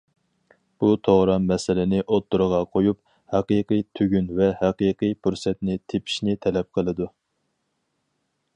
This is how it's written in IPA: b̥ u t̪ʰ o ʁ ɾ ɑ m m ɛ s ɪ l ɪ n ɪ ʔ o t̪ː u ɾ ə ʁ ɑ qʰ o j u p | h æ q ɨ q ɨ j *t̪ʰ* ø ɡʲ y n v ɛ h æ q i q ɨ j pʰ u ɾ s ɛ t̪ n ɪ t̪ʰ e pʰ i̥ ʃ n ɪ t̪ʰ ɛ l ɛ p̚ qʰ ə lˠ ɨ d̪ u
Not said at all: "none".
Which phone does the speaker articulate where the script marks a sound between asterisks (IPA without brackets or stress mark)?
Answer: t̪ʰ